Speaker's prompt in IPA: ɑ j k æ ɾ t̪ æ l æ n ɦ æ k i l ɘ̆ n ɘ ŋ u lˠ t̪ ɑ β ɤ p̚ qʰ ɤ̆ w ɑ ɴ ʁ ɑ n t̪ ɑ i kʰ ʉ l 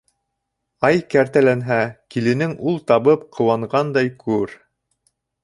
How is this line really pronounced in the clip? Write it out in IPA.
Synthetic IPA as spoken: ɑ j k æ ɾ t̪ æ l æ n ɦ æ k i l ɘ̆ n ɘ ŋ u lˠ t̪ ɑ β ɤ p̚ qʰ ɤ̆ w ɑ ɴ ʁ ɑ n d̪ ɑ j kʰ ʉ ɾ